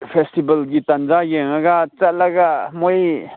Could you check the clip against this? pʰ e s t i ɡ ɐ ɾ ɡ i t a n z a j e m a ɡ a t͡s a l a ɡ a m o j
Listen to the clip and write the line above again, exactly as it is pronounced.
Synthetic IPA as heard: pʰ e s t i b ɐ l ɡ i t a n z a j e ŋ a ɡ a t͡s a l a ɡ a m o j